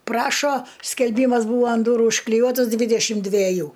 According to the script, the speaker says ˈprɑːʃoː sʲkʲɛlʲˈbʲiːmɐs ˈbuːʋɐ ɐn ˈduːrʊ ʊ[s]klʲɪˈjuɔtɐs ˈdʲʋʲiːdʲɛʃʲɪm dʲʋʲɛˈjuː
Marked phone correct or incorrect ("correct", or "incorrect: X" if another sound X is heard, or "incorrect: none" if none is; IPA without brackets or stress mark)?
incorrect: ʃ